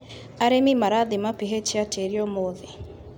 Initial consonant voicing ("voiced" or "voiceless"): voiced